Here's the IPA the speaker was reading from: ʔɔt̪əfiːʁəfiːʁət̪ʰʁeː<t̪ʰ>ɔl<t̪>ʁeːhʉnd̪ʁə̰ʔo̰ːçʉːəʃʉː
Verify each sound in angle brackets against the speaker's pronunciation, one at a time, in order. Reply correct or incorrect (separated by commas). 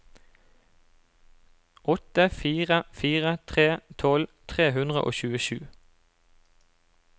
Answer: correct, incorrect